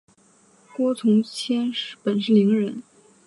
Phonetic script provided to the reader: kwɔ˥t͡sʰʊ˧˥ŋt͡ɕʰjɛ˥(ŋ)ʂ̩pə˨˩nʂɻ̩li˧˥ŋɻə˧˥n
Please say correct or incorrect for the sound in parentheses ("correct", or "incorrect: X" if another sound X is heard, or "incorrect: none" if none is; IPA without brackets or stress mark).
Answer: incorrect: n